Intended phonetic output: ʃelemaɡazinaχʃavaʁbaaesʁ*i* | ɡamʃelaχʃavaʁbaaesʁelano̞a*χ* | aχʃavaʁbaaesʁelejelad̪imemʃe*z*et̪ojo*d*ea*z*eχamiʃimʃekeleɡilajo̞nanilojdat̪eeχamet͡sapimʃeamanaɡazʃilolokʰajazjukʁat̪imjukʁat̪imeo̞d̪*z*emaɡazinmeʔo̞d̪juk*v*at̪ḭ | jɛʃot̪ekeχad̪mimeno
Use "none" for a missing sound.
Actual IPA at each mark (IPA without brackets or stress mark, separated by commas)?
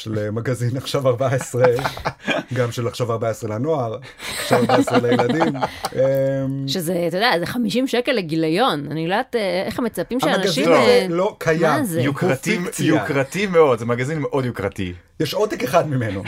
e, ʁ, z, d, z, z, ʁ